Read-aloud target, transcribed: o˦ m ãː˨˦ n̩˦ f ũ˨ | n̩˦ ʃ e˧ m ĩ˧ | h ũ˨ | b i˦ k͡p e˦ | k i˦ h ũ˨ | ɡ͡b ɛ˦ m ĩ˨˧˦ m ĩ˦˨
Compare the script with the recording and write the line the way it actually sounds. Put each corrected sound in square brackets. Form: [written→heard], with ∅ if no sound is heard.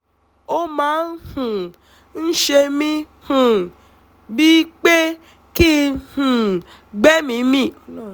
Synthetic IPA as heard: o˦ m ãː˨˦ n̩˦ [f→h] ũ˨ | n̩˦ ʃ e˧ m ĩ˧ | h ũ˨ | b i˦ k͡p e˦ | k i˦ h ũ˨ | ɡ͡b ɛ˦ m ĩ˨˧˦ m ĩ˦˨